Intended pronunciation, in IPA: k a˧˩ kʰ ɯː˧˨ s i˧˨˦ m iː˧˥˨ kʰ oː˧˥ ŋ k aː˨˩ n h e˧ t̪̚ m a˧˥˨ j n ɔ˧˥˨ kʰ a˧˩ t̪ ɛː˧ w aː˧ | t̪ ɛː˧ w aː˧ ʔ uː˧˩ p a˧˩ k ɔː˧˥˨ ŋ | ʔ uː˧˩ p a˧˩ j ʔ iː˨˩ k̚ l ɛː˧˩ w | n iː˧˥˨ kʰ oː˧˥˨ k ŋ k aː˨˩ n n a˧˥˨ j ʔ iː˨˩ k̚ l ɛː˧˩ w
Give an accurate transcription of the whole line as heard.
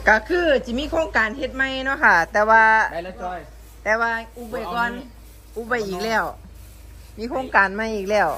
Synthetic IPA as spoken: k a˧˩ kʰ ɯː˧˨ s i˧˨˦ m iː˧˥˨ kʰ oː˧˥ ŋ k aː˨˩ n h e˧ t̪̚ m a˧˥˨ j n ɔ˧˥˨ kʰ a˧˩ t̪ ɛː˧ w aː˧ | t̪ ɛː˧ w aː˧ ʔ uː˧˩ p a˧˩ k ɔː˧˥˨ n | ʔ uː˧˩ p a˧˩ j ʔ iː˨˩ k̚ l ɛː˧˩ w | m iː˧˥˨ kʰ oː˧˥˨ ŋ k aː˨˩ n m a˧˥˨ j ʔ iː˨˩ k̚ l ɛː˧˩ w